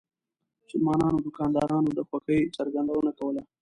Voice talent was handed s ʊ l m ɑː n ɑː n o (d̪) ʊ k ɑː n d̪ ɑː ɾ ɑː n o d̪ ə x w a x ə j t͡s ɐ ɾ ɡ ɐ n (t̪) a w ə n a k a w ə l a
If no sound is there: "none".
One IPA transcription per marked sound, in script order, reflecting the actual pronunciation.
d̪, d̪

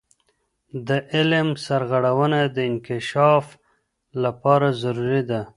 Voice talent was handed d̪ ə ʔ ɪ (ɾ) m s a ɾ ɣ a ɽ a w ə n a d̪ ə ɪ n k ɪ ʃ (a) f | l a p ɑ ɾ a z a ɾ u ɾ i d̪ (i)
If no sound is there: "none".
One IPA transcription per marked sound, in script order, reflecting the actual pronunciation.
l, ɑ, a

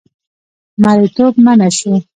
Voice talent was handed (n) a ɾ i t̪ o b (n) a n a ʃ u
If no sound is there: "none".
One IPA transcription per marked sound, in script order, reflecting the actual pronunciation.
m, m

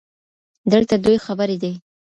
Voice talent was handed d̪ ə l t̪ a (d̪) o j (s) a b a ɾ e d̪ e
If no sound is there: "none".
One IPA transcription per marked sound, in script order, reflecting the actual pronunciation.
d̪, x

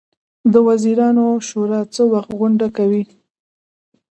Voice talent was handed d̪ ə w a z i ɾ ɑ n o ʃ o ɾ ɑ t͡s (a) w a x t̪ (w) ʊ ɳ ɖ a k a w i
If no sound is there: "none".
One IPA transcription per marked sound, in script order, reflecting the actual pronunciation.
ə, ɣ

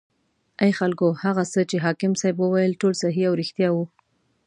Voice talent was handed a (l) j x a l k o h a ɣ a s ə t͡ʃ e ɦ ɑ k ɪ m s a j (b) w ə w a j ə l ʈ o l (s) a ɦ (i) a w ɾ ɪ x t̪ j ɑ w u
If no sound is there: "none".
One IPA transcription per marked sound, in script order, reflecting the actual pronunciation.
none, b, s, i

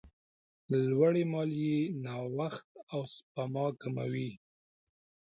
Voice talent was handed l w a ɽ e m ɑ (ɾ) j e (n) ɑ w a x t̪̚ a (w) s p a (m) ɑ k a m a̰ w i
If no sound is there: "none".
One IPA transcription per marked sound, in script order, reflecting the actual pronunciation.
l, n, w, m

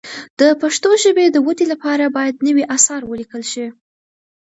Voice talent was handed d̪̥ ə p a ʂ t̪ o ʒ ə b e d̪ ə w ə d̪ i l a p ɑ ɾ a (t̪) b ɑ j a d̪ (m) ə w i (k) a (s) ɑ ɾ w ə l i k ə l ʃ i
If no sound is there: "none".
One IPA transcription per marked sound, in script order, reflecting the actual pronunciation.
none, n, ʔ, s

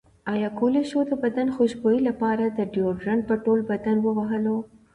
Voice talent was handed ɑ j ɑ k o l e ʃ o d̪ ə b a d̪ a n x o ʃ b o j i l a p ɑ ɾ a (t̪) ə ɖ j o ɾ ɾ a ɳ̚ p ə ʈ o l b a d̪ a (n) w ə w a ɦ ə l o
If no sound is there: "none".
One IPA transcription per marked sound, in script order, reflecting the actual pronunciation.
d̪, n

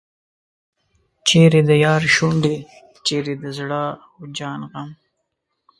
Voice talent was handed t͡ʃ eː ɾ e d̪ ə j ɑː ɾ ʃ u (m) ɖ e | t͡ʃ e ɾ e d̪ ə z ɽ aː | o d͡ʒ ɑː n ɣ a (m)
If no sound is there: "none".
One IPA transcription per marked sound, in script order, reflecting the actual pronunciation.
ɳ, m

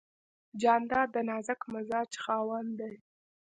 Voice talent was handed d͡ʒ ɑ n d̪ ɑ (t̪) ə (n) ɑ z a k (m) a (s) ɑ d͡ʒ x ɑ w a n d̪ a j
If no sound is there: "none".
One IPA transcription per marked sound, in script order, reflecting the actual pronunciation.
d̪, n, m, z

